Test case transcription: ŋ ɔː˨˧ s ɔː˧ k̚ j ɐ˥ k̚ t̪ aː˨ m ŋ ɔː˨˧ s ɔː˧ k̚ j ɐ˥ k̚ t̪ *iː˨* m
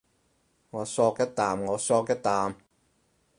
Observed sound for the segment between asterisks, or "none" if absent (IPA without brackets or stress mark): aː˨